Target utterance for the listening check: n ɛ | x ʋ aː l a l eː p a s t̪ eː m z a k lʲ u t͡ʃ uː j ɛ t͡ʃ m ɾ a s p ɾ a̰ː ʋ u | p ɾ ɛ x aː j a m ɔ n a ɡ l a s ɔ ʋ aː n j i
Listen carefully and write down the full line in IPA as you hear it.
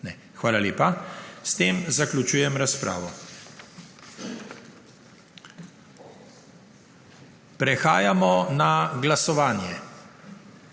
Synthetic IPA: n ɛ | x ʋ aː l a l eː p a s t̪ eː m z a k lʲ u t͡ʃ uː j ɛ m ɾ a s p ɾ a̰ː ʋ ɔ | p ɾ ɛ x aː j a m ɔ n a ɡ l a s ɔ ʋ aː n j ɛ